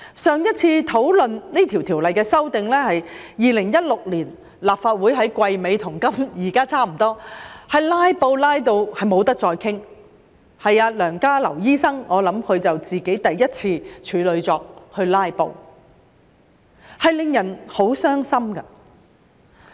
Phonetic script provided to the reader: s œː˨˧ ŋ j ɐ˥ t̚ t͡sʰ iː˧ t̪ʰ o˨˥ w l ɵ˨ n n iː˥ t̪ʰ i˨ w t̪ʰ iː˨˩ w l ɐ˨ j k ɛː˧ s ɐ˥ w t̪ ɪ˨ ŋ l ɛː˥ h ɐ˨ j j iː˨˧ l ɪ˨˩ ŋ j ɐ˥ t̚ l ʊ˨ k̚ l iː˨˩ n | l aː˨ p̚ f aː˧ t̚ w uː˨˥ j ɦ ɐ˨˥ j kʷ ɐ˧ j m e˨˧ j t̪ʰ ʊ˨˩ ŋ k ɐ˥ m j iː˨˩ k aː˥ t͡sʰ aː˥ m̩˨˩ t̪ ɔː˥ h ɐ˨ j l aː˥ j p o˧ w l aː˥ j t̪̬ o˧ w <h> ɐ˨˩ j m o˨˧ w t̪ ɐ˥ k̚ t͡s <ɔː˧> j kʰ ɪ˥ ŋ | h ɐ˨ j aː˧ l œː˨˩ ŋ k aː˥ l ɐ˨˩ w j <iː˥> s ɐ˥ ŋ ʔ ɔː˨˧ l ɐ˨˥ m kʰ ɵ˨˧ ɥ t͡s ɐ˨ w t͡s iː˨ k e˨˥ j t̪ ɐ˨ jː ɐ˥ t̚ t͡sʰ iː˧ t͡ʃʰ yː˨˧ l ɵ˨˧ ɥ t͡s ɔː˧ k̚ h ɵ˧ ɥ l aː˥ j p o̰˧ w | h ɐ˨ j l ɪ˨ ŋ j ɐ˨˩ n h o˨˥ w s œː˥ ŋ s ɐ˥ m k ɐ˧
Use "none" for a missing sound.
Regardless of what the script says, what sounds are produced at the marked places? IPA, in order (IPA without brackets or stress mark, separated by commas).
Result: h, ɔː˧, iː˥